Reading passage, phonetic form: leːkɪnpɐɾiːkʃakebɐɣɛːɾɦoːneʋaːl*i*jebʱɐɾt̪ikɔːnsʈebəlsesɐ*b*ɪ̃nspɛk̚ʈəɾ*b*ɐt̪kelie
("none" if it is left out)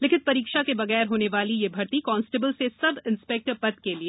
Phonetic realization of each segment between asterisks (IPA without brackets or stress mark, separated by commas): i, b, p